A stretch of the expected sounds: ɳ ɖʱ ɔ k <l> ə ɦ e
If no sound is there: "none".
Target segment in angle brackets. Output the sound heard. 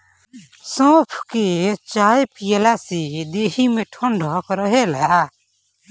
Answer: ɾ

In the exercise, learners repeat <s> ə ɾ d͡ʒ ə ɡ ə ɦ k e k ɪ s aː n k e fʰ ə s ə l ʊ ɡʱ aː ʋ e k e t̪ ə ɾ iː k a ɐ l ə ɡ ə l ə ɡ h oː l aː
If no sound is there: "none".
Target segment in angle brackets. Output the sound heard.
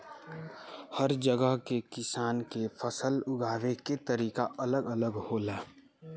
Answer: h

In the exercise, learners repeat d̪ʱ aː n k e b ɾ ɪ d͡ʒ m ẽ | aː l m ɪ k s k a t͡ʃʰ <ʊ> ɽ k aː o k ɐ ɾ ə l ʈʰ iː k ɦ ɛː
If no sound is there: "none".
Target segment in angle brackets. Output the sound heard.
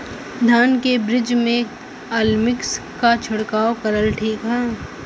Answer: ʊ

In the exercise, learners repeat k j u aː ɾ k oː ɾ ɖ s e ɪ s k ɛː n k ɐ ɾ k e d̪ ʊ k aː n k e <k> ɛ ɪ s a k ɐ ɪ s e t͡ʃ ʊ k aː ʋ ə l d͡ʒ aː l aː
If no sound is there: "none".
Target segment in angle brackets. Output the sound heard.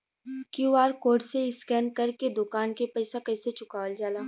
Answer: p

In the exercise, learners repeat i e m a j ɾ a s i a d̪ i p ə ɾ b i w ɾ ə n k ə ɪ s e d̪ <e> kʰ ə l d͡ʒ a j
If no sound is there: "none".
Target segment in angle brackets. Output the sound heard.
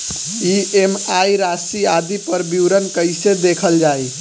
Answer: e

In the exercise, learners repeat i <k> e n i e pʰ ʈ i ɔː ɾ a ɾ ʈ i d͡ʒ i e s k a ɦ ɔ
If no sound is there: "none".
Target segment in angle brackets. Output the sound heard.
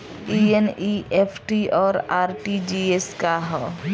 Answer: none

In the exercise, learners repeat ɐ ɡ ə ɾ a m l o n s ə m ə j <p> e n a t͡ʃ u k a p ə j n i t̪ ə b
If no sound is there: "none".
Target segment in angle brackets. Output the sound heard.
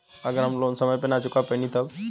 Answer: p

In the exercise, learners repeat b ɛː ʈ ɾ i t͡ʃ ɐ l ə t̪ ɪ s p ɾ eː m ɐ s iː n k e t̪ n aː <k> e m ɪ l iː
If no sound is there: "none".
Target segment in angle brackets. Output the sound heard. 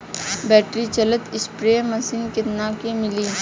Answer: k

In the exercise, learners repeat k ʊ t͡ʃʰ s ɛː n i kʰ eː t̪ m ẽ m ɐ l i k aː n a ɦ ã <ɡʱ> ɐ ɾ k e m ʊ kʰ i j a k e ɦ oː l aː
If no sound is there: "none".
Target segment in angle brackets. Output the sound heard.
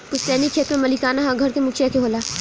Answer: ɡʱ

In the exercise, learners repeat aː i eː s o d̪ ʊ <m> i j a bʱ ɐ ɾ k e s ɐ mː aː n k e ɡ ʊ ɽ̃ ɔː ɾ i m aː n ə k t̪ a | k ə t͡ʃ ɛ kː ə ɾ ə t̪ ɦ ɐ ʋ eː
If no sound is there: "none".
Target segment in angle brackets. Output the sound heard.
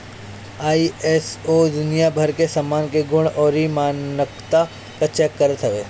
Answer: n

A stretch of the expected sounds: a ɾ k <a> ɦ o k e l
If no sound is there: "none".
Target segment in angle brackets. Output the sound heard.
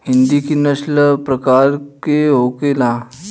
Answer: e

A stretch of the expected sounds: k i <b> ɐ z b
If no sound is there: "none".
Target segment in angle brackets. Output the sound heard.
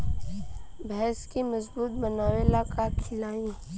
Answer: m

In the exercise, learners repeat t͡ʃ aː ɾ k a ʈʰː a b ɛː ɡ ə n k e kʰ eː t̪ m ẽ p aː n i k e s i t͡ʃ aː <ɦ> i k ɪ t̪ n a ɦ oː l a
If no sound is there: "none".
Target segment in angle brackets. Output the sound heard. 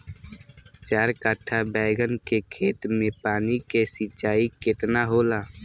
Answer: none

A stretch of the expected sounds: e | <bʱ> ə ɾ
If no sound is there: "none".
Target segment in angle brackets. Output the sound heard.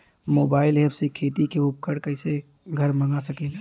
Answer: ɡʱ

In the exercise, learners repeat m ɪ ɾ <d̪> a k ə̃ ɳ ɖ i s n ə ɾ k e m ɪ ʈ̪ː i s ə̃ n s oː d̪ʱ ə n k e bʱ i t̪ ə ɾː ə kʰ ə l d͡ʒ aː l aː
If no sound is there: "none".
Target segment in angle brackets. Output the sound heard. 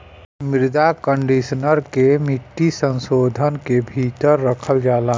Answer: d̪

